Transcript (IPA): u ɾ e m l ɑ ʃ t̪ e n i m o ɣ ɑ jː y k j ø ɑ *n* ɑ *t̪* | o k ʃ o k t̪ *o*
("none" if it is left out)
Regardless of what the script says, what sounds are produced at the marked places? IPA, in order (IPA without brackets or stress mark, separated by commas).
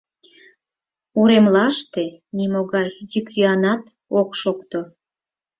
n, t̪, o